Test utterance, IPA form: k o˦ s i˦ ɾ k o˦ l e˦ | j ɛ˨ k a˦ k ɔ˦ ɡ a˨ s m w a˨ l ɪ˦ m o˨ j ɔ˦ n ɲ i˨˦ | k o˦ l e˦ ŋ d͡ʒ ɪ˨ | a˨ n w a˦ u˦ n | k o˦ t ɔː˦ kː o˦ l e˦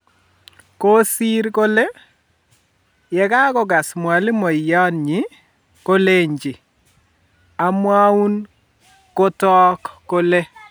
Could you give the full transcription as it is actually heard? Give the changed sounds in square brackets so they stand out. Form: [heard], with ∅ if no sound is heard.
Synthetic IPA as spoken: k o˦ s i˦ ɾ k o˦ l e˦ | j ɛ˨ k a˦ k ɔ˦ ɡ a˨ s m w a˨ l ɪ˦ m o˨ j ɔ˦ n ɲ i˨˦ | k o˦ l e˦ [ɲ] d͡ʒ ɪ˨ | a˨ [m] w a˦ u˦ n | k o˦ t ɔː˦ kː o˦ l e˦